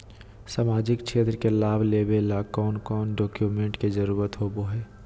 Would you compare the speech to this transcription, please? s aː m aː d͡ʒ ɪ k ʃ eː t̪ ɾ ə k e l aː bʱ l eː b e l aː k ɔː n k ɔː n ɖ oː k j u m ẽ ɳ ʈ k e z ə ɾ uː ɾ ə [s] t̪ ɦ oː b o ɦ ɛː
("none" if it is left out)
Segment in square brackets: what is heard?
none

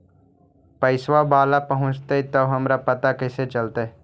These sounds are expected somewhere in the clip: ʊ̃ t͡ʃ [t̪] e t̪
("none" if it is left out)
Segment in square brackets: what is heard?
t̪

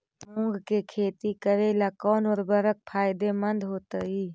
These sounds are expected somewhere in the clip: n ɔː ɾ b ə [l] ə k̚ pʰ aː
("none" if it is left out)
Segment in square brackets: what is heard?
ɾ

